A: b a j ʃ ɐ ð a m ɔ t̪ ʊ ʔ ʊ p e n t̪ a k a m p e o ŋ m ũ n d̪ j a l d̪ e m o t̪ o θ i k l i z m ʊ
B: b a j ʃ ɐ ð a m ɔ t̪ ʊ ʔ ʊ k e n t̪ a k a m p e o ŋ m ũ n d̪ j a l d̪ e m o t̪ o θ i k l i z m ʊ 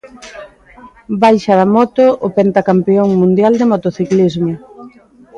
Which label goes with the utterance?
A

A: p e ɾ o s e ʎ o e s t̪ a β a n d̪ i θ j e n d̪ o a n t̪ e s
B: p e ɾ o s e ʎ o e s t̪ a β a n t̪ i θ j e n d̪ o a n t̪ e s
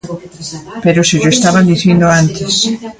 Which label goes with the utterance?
A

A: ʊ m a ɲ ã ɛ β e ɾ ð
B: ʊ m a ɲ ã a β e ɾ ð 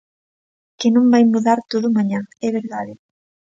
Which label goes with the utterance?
A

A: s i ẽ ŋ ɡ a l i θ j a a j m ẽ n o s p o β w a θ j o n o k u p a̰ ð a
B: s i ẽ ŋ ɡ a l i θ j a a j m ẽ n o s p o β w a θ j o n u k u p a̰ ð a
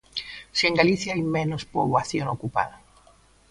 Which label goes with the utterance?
A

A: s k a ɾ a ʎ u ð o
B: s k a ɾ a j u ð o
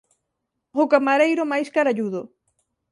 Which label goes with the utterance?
A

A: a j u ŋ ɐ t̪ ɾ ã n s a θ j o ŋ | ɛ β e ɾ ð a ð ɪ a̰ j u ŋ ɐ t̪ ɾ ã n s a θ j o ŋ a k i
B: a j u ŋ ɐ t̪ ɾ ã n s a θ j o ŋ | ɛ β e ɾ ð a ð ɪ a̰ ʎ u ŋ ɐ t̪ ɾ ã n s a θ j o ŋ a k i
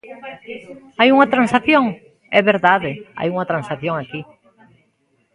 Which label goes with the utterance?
A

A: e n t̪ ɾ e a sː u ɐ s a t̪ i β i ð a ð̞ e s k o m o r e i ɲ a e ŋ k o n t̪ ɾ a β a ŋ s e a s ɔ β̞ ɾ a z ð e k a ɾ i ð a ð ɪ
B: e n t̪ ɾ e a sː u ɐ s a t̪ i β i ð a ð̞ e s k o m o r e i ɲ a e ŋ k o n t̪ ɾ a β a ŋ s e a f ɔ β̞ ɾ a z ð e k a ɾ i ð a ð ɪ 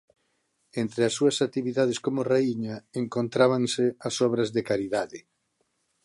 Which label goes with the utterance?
A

